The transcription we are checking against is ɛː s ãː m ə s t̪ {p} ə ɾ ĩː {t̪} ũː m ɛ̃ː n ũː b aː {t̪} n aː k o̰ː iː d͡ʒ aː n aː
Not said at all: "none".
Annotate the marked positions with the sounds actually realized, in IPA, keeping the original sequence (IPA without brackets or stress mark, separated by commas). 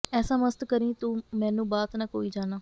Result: k, t̪, t̪